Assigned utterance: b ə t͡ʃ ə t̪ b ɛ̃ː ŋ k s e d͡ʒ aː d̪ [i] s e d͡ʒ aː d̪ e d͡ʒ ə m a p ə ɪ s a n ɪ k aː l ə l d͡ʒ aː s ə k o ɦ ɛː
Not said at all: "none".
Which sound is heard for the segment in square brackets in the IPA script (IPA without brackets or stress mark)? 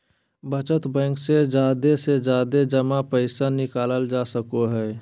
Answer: e